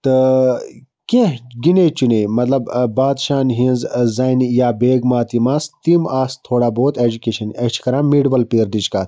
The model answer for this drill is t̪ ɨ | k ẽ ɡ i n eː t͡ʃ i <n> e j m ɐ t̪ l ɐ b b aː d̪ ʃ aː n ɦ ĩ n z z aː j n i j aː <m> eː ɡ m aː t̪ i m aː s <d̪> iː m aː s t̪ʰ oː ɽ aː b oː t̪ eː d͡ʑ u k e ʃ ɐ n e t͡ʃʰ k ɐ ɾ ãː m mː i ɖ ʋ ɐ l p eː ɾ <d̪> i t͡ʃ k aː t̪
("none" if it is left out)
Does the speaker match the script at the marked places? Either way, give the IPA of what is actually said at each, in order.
n, b, t̪, d̪

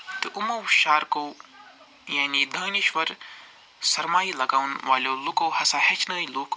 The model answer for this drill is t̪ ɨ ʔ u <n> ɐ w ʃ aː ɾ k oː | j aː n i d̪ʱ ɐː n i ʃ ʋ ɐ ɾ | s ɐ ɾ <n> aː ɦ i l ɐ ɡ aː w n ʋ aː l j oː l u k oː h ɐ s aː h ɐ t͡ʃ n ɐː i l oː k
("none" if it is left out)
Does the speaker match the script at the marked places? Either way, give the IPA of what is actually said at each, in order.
m, m

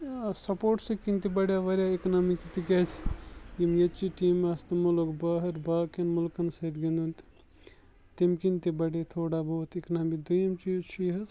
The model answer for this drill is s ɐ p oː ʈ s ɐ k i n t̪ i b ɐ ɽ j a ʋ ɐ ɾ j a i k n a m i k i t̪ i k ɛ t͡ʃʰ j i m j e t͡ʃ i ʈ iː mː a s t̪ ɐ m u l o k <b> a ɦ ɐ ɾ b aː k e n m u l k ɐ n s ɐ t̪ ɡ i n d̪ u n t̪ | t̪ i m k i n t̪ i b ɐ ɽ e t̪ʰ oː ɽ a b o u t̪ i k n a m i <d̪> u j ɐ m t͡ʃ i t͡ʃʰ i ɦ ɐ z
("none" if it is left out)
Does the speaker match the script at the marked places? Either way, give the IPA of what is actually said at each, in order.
b, d̪

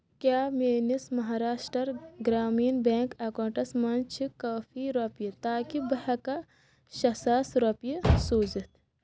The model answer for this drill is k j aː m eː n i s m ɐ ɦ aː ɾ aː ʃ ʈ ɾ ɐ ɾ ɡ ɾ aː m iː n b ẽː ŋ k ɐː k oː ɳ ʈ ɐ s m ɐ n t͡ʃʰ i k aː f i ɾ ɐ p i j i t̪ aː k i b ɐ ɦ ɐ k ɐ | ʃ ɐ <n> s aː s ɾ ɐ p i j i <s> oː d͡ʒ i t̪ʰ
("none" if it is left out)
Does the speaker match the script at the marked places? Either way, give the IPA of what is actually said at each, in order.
none, s

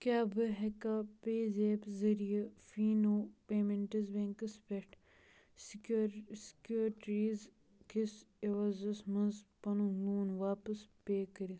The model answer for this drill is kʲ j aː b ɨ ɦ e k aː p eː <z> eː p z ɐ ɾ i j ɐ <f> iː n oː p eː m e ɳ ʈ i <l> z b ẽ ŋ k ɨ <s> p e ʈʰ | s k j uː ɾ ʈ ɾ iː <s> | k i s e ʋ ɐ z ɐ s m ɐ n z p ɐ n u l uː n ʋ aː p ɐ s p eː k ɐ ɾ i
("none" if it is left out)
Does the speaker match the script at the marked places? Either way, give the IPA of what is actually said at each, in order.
z, f, none, s, z

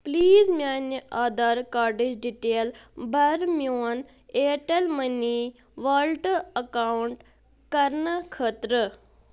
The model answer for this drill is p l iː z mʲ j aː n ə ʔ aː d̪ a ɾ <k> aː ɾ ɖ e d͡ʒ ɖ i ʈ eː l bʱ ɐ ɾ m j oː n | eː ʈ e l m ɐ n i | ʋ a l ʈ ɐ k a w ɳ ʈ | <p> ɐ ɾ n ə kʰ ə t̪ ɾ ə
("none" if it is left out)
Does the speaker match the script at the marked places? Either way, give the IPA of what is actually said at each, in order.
k, k

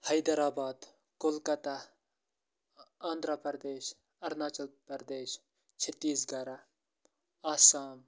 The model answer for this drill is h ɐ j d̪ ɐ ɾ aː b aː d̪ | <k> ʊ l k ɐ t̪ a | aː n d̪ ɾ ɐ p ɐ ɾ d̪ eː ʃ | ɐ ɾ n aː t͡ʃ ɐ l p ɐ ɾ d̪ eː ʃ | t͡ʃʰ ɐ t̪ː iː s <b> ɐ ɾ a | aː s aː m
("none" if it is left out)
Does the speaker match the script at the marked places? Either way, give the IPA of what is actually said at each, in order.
k, ɡ

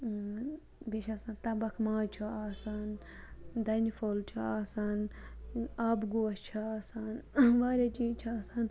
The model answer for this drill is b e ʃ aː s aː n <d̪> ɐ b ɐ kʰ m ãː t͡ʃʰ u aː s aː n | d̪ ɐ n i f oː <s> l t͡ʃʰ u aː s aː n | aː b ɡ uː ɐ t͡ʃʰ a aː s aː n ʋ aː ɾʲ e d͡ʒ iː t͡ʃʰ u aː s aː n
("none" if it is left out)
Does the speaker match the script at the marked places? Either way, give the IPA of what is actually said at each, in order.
t̪, none

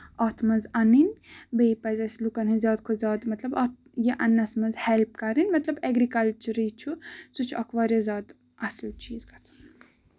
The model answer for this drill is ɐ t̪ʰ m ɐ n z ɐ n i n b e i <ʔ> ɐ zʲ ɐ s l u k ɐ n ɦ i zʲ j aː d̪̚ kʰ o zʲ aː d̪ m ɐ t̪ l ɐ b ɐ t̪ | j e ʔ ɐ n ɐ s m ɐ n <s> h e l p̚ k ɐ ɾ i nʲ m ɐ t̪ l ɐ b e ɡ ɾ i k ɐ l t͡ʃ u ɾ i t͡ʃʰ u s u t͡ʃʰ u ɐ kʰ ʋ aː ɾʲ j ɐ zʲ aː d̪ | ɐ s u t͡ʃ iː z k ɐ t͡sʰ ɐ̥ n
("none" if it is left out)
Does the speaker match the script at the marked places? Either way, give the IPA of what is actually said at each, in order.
p, z

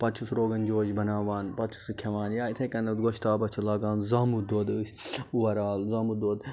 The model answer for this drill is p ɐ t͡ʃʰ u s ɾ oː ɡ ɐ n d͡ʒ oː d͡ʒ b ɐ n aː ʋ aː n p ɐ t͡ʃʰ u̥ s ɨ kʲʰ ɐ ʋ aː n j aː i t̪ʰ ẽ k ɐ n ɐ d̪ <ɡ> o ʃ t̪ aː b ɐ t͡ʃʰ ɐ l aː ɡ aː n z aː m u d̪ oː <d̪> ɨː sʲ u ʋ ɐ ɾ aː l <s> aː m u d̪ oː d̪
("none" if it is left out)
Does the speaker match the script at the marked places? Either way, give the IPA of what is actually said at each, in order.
ɡ, d̪, z

